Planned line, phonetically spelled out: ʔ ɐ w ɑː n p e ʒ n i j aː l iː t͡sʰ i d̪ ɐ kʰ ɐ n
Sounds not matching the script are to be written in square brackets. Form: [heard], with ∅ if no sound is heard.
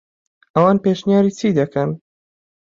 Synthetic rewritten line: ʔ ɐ w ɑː n p e [ʃ] n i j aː [ɾ] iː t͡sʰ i d̪ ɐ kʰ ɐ n